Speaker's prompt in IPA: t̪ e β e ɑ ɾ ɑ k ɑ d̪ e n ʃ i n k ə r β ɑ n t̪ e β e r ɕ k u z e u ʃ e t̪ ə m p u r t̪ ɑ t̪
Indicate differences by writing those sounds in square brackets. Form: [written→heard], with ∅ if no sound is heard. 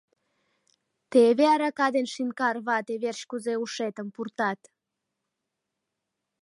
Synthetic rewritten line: t̪ e β e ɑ ɾ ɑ k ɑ d̪ e n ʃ i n k [ə→ɑ] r β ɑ [n→∅] t̪ e β e r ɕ k u z e u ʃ e t̪ ə m p u r t̪ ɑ t̪

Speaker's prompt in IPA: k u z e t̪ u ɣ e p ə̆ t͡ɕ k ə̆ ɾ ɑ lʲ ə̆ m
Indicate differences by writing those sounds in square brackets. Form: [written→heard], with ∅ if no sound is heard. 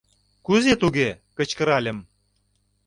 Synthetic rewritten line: k u z e t̪ u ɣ e [p→k] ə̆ t͡ɕ k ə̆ ɾ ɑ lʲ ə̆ m

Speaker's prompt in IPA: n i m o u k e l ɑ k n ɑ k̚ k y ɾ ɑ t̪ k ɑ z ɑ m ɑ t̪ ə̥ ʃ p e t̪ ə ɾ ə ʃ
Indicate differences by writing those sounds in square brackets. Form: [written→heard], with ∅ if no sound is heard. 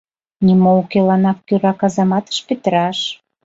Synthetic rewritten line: n i m o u k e l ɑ [k→∅] n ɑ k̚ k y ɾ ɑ [t̪→∅] k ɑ z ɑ m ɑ t̪ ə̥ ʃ p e t̪ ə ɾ [ə→ɑ] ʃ

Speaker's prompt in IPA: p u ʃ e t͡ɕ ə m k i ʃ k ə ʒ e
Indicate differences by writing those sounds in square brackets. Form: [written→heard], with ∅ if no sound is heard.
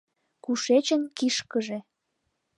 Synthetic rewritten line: [p→k] u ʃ e t͡ɕ ə [m→n] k i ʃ k ə ʒ e

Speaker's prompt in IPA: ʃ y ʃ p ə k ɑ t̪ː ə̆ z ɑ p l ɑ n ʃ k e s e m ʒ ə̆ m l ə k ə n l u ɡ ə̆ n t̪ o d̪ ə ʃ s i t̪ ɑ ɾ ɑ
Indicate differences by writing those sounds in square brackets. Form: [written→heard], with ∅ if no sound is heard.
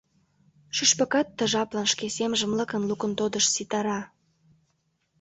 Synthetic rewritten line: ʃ y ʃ p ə k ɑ t̪ː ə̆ [z→ʒ] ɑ p l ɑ n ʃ k e s e m ʒ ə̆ m l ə k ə n l u [ɡ→k] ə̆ n t̪ o d̪ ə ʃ s i t̪ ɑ ɾ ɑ

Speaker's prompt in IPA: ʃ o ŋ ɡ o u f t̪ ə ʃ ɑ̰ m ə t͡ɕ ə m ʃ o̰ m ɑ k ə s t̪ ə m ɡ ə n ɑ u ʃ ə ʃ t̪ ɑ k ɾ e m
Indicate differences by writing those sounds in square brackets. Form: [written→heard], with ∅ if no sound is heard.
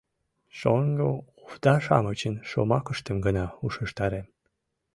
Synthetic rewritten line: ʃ o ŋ ɡ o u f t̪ [ə→ɑ] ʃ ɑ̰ m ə t͡ɕ ə [m→n] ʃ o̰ m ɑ k ə [s→ʃ] t̪ ə m ɡ ə n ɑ u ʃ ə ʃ t̪ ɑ [k→∅] ɾ e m

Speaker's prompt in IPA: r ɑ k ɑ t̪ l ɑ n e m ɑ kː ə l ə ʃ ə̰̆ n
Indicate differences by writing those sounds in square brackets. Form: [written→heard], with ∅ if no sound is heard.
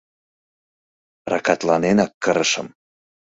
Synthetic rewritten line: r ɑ k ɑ t̪ l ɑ n e [m→n] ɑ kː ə [l→ɾ] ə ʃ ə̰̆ [n→m]

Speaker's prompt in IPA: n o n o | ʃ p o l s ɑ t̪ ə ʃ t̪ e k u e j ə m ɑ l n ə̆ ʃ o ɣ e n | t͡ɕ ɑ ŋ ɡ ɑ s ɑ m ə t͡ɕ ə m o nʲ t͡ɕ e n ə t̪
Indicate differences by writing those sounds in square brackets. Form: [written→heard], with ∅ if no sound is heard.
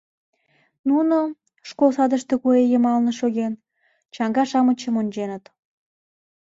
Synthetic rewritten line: n [o→u] n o | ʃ [p→k] o l s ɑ [t̪→d̪] ə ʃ t̪ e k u e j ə m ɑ l n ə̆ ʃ o ɣ e n | t͡ɕ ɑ ŋ ɡ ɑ [s→ʃ] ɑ m ə t͡ɕ ə m o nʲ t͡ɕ e n ə t̪

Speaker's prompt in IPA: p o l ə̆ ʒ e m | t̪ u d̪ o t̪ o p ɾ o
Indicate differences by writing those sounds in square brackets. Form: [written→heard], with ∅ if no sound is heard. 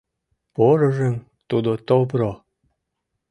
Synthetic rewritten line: p o [l→ɾ] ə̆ ʒ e m | t̪ u d̪ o t̪ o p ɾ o

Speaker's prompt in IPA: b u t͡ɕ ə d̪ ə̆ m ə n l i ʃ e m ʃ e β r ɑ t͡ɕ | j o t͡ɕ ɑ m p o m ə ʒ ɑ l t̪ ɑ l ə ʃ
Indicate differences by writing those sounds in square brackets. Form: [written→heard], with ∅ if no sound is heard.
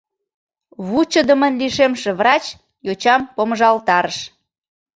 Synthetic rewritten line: [b→β] u t͡ɕ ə d̪ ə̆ m ə n l i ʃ e m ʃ e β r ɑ t͡ɕ | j o t͡ɕ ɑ m p o m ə ʒ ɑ l t̪ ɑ [l→ɾ] ə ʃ

